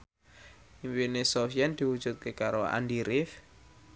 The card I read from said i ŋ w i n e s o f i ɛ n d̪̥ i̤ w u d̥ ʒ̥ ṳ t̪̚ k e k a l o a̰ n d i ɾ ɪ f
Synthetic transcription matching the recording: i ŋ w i n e s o f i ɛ n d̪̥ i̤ w u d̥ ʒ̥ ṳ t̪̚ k e k a ɾ o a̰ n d i ɾ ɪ f